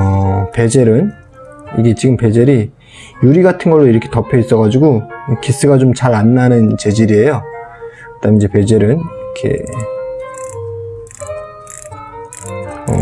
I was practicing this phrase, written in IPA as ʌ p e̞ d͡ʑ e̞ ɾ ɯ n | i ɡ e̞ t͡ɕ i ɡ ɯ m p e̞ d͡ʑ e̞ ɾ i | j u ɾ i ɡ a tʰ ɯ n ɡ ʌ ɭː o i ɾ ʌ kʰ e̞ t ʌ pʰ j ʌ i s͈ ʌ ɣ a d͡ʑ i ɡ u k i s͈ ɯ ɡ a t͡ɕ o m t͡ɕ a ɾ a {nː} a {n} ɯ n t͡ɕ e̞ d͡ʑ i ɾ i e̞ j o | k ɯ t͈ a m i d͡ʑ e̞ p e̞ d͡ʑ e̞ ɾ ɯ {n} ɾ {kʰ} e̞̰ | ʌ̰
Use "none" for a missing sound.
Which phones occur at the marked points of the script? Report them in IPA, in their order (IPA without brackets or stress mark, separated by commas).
nː, n, n, kʰ